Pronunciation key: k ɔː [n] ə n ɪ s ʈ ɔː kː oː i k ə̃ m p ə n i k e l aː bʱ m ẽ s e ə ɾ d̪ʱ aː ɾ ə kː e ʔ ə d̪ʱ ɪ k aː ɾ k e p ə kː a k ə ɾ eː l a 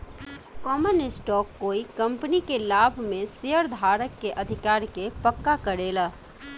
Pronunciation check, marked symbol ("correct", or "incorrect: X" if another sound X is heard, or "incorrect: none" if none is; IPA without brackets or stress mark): incorrect: m